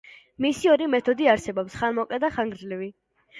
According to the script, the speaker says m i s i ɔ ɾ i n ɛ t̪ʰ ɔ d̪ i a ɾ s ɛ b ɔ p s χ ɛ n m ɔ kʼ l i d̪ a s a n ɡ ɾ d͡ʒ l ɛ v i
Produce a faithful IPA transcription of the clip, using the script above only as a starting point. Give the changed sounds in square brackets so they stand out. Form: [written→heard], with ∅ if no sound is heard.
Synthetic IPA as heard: m i s i ɔ ɾ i [n→m] ɛ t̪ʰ ɔ d̪ i a ɾ s ɛ b ɔ p s χ [ɛ→a] n m ɔ kʼ l [i→ɛ] d̪ a [s→χ] a [n→ŋ] ɡ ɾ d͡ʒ l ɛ v i